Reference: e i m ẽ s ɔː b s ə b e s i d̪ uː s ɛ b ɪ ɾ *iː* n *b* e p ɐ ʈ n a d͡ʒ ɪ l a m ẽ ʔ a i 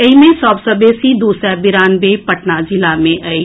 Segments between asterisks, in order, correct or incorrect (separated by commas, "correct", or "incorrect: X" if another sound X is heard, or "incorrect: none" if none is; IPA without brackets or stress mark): incorrect: aː, correct